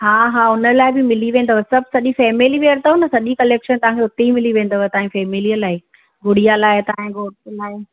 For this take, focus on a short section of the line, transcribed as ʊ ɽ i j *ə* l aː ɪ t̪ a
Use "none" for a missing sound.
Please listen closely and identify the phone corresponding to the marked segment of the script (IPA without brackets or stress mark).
a